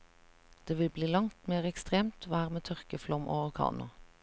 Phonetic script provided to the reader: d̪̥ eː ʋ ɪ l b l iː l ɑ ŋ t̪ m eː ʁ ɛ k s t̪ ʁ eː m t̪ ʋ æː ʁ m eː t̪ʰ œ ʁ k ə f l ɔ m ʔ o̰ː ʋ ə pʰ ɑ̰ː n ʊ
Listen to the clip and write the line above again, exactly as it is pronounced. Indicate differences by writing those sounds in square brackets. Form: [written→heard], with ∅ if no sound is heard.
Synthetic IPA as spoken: d̪̥ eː ʋ ɪ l b l iː l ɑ ŋ t̪ m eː ʁ ɛ k s t̪ ʁ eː m t̪ ʋ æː ʁ m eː t̪ʰ œ ʁ k ə f l ɔ m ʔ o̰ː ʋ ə [pʰ→kʰ] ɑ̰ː n ʊ